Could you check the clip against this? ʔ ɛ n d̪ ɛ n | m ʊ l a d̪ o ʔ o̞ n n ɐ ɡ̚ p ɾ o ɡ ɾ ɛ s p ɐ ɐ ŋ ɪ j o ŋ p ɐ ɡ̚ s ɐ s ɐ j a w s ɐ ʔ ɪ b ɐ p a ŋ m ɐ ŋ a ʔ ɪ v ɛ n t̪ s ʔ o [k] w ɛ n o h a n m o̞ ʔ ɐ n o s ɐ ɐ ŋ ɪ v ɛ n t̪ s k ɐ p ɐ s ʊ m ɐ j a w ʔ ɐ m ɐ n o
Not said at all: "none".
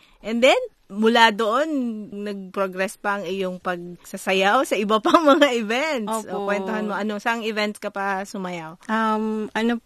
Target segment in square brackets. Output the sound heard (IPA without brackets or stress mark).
k